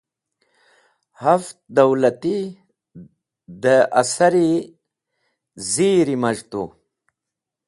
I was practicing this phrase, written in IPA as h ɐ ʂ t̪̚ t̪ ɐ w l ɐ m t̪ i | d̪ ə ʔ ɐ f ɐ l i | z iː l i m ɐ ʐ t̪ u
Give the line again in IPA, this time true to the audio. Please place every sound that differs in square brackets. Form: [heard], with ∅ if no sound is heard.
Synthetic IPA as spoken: h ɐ [f] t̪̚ [d̪] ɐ w l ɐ [∅] t̪ i | d̪ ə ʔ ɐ [s] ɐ [ɾ] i | z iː [ɾ] i m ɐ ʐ t̪ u